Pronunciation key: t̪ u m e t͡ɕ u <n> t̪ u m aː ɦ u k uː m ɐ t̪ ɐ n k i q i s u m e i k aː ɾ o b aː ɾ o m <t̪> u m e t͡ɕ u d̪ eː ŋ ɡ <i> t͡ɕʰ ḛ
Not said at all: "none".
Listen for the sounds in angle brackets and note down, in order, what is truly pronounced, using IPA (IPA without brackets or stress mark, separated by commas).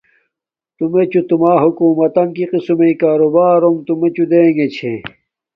none, t̪, e